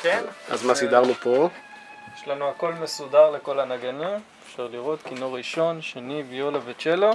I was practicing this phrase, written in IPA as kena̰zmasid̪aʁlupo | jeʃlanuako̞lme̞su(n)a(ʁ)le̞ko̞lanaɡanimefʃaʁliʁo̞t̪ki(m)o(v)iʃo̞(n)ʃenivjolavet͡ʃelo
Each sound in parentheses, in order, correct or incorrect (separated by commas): incorrect, correct, incorrect, incorrect, correct